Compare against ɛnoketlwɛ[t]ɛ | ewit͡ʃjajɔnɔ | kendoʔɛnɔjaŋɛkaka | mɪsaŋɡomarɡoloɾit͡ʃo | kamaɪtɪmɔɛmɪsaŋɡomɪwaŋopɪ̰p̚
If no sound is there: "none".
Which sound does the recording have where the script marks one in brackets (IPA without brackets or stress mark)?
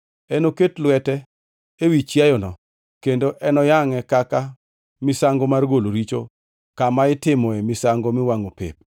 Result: t